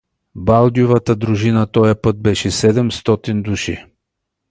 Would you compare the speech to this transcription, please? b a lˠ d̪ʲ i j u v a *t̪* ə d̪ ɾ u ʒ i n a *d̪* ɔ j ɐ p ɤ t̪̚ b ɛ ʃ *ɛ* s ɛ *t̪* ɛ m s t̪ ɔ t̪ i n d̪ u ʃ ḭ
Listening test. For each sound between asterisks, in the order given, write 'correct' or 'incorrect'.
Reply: correct, incorrect: t̪, correct, incorrect: d̪

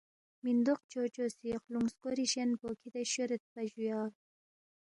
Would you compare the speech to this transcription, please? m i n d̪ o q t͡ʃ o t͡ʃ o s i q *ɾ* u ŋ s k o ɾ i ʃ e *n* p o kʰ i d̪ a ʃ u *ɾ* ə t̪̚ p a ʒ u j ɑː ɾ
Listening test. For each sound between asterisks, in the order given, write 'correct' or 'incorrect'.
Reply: incorrect: l, correct, correct

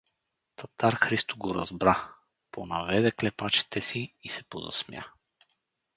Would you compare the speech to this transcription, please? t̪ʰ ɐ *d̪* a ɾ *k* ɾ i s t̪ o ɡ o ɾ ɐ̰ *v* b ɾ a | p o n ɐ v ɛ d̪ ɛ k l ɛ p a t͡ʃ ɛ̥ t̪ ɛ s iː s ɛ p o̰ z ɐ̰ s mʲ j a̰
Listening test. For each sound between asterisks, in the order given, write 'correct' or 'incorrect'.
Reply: incorrect: t̪, incorrect: x, incorrect: z

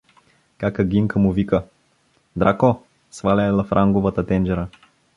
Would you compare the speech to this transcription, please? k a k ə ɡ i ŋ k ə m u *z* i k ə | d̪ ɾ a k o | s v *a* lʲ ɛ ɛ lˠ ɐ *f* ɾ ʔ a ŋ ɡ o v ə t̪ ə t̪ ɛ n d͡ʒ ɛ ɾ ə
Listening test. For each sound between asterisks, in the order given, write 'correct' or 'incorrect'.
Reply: incorrect: v, correct, correct

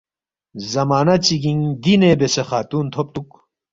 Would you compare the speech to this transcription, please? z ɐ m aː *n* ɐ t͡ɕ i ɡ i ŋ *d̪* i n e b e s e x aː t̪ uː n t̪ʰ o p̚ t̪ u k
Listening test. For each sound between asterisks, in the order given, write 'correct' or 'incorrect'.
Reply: correct, correct

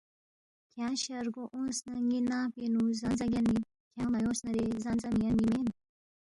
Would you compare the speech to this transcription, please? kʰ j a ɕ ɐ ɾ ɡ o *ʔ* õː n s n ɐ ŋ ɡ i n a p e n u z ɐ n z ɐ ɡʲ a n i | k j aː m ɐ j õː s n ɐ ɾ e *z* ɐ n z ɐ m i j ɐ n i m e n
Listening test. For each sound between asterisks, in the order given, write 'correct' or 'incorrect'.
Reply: correct, correct

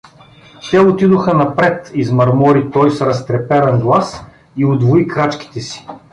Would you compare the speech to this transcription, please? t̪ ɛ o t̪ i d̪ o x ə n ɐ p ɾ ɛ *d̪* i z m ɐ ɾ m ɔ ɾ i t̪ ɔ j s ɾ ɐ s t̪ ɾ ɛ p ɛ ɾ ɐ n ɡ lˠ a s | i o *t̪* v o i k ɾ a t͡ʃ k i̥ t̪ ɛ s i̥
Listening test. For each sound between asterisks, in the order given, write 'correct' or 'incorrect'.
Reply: incorrect: t̪, incorrect: d̪

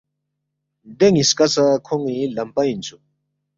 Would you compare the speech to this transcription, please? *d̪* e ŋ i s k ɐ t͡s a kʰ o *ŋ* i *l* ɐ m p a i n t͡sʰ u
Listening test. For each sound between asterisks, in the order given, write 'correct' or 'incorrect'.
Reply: correct, correct, correct

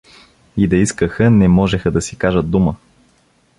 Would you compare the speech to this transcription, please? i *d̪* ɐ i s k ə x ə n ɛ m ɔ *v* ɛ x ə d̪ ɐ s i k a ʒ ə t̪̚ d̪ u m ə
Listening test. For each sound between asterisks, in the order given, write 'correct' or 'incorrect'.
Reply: correct, incorrect: ʒ

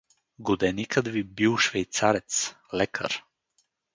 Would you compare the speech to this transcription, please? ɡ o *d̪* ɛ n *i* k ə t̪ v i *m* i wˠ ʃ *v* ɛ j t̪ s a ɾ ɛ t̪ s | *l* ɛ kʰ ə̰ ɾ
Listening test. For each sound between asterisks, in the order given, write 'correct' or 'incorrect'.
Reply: correct, correct, incorrect: b, correct, correct

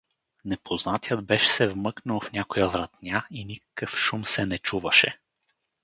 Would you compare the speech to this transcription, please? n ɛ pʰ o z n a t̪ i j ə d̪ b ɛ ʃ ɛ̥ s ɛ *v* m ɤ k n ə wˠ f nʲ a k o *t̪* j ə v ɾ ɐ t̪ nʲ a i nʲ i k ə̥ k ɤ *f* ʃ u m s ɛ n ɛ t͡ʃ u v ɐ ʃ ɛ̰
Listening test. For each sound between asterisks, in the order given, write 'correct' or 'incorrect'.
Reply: correct, incorrect: none, correct

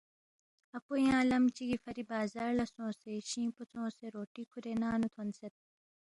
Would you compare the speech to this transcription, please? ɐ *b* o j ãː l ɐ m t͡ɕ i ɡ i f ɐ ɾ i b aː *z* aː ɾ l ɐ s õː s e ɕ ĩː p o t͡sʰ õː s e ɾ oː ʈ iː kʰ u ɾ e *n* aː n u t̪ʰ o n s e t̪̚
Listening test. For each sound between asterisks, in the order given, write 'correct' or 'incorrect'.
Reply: incorrect: p, correct, correct

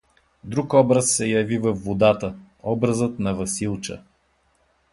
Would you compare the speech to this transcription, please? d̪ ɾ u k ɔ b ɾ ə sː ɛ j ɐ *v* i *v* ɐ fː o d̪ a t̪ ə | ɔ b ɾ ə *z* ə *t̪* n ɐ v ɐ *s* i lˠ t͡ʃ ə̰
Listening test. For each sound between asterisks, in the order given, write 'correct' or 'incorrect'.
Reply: correct, correct, correct, correct, correct

